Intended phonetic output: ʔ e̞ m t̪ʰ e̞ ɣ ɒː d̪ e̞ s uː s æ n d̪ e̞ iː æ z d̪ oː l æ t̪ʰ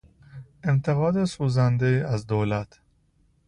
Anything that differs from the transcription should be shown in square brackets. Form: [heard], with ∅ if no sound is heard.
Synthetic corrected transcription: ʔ e̞ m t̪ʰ e̞ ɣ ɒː d̪ e̞ s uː [z] æ n d̪ e̞ iː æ z d̪ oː l æ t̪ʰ